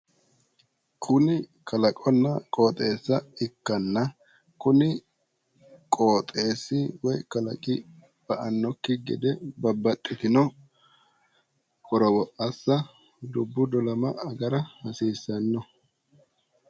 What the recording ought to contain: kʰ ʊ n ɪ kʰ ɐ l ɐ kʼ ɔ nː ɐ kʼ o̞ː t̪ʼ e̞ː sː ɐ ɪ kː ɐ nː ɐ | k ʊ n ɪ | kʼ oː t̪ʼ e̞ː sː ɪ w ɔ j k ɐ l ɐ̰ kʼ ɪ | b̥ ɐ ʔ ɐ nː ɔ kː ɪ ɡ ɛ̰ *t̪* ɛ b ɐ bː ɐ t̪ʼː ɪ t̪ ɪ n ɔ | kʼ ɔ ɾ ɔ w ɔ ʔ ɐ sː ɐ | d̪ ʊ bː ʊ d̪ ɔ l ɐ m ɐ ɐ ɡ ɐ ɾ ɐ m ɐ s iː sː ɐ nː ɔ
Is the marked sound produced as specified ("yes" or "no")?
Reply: no